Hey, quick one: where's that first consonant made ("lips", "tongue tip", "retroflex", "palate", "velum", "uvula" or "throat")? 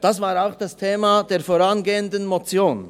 tongue tip